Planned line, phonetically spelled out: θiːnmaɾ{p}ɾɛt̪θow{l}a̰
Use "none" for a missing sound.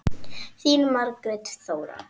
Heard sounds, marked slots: k, ɾ

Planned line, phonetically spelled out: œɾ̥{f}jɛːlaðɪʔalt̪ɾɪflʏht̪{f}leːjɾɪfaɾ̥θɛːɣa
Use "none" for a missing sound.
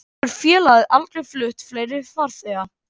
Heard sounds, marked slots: f, f

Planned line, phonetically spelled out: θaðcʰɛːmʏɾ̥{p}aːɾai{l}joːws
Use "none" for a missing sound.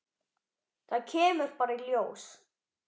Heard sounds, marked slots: p, l

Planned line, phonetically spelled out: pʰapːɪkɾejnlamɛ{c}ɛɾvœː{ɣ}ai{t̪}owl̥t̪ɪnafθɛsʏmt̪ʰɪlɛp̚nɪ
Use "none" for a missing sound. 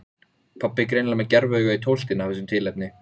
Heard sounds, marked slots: c, ɣ, t̪ʰ

